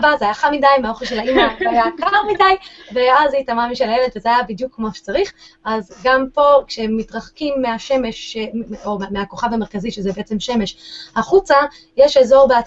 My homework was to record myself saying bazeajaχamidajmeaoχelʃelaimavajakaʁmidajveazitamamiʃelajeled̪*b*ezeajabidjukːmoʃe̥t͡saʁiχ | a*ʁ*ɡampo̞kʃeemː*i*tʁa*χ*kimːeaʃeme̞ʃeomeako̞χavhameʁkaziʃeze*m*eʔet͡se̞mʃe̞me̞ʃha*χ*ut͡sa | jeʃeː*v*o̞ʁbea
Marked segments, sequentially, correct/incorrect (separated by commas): incorrect, incorrect, correct, correct, incorrect, correct, incorrect